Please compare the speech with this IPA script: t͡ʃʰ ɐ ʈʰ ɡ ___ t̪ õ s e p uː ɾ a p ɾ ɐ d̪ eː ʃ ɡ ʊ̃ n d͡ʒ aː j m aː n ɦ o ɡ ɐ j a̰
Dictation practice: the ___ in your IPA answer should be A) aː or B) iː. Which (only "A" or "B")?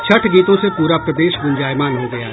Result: B